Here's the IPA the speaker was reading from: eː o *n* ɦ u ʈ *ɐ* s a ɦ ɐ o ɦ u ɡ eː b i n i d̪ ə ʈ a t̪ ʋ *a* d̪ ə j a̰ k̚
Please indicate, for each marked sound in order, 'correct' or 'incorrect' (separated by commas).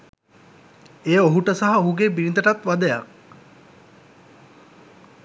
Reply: incorrect, incorrect, correct